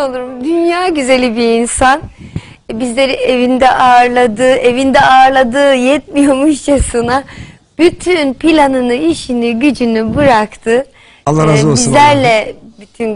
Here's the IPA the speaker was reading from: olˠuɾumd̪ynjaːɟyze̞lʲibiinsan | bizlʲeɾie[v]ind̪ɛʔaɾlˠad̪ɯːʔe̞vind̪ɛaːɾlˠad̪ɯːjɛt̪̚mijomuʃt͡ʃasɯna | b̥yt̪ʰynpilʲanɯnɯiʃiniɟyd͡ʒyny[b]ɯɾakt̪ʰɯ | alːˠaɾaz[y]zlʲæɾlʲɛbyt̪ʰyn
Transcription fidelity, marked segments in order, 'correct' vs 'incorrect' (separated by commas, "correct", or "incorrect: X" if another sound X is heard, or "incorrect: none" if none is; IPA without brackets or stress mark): correct, correct, incorrect: i